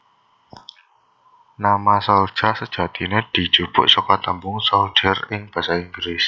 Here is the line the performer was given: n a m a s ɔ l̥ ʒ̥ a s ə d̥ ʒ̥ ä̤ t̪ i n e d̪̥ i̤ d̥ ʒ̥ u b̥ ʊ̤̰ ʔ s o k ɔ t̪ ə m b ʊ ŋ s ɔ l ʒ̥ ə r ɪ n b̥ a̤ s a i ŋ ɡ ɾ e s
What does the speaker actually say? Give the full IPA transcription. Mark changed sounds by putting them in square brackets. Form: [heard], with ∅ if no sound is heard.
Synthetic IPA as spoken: n a m a s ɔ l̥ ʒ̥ a s ə d̥ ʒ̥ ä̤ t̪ i n e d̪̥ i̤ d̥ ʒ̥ u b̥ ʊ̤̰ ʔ s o k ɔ t̪ ə m b ʊ ŋ s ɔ l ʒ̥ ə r ɪ [ŋ] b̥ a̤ s a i ŋ ɡ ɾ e s

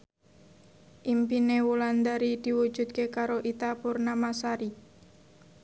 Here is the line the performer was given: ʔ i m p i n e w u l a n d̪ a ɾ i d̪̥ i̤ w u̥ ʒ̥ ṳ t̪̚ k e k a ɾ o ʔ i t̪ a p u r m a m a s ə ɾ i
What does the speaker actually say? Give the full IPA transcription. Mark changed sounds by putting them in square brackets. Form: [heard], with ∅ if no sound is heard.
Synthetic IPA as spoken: ʔ i m p i n e w u l a n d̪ a ɾ i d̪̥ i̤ w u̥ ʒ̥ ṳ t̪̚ k e k a ɾ o ʔ i t̪ a p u r [n] a m a s [a] ɾ i

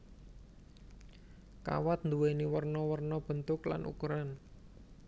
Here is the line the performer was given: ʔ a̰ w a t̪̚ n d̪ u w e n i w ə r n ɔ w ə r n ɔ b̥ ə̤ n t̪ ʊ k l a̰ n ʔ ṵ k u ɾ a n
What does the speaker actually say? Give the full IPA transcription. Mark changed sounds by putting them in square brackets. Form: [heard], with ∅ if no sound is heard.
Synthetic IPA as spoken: [k] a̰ w a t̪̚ n d̪ u w e n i w ə r n ɔ w ə r n ɔ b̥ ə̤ n t̪ ʊ k l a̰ n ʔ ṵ k u ɾ a n

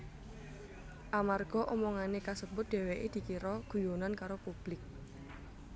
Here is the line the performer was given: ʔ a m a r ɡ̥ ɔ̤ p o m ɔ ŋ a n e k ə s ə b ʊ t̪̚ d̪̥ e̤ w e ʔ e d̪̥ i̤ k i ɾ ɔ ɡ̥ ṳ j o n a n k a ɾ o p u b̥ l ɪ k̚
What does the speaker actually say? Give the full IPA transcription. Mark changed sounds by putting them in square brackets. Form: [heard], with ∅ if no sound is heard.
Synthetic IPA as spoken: ʔ a m a r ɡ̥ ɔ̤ [ʔ] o m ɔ ŋ a n e k [a] s ə b ʊ t̪̚ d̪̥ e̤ w e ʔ e d̪̥ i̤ k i ɾ ɔ ɡ̥ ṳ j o n a n k a ɾ o p u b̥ l ɪ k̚

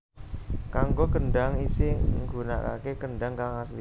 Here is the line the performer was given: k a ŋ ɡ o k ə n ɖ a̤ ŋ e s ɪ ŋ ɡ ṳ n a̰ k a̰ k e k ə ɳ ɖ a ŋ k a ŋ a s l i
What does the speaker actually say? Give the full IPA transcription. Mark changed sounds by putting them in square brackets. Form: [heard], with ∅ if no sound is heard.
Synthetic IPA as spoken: k a ŋ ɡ o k ə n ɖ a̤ ŋ [i] s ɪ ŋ ɡ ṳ n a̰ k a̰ k e k ə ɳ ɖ a ŋ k a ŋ a s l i

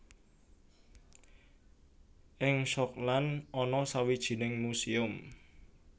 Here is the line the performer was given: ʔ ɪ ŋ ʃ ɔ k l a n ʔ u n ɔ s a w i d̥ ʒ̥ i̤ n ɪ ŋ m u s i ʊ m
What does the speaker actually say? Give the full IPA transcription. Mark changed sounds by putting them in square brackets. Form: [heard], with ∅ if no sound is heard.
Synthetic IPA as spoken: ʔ ɪ ŋ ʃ ɔ k l a n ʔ [ɔ] n ɔ s a w i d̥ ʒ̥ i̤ n ɪ ŋ m u s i ʊ m

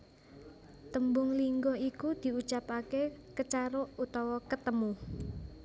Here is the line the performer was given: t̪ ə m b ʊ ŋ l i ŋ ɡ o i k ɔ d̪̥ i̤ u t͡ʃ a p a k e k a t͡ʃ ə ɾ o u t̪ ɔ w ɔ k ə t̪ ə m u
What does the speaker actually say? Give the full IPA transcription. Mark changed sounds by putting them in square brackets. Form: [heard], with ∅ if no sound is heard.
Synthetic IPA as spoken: t̪ ə m b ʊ ŋ l i ŋ ɡ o i k [u] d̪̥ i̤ u t͡ʃ a p a k e k [ə] t͡ʃ [a] ɾ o u t̪ ɔ w ɔ k ə t̪ ə m u

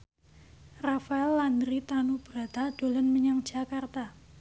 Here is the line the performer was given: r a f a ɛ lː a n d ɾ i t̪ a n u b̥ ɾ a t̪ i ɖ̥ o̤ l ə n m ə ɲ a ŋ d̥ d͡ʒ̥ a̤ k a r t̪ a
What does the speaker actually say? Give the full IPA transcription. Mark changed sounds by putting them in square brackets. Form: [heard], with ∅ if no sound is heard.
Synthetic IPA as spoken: r a f a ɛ lː a n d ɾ i t̪ a n u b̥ ɾ a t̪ [a] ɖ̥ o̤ l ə n m ə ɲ a ŋ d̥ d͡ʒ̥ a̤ k a r t̪ a

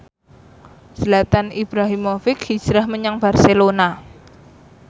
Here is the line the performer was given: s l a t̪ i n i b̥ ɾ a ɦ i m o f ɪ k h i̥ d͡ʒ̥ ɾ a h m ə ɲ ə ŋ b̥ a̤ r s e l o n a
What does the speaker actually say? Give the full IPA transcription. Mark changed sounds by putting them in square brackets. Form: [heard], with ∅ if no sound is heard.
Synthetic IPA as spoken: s l a t̪ [a] n i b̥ ɾ a ɦ i m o f ɪ k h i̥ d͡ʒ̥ ɾ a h m ə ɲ [a] ŋ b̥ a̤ r s e l o n a

